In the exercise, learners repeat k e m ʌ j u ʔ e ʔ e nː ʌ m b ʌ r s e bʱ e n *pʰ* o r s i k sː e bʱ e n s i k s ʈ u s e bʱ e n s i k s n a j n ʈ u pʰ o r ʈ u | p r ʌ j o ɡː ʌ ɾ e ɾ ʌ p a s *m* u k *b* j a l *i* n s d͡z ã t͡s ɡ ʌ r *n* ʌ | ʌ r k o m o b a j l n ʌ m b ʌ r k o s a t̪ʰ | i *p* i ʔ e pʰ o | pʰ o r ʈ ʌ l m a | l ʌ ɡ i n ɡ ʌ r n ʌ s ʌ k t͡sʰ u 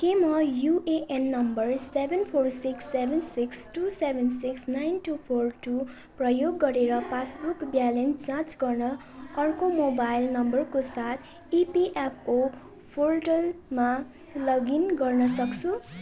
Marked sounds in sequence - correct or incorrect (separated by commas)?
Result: correct, incorrect, correct, incorrect, correct, correct